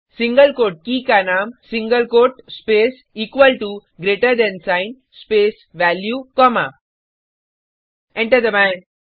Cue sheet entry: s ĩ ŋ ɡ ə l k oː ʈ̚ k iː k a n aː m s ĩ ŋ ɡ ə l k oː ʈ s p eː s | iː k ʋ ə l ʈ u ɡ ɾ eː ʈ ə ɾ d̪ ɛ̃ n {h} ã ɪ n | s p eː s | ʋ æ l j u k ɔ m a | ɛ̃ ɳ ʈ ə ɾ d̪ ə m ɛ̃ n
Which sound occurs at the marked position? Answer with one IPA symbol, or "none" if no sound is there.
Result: s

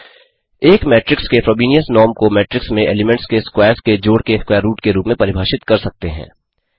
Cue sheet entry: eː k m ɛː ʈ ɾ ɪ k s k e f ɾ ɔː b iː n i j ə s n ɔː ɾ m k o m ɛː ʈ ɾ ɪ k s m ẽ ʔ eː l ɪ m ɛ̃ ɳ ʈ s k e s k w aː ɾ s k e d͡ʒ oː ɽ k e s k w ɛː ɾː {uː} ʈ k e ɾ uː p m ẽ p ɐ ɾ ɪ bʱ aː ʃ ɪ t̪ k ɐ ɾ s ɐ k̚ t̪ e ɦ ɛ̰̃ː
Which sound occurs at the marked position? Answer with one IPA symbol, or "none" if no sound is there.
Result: uː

